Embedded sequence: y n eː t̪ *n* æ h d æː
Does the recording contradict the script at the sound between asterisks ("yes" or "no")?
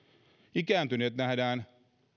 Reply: no